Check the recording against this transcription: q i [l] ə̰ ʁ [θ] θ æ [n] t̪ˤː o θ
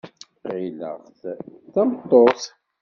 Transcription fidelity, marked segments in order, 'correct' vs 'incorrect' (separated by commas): correct, correct, incorrect